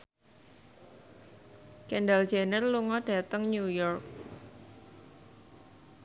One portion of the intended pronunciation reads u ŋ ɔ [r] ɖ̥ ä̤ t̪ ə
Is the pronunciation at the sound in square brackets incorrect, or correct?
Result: incorrect